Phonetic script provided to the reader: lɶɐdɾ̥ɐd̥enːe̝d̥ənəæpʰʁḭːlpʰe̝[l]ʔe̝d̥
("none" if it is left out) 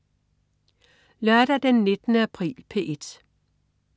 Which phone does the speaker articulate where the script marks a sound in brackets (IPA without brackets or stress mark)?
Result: none